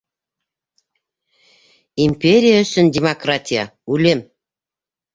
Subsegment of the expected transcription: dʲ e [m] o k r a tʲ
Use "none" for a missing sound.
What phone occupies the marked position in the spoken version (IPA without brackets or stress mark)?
m